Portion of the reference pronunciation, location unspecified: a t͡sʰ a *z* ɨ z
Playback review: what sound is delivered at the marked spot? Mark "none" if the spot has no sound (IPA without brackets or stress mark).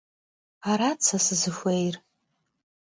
s